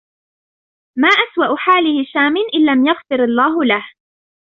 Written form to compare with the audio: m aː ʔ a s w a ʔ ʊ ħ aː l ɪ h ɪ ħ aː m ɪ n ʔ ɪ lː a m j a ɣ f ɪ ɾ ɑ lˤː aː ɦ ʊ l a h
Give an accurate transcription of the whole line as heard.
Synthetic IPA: m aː ʔ a s w a ʔ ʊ ħ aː l ɪ h ɪ ʃ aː m ɪ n ʔ ɪ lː a m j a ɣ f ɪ ɾ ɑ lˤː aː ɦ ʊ l a h